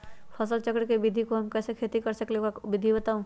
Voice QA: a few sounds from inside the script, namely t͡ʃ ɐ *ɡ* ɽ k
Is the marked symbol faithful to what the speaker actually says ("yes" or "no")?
no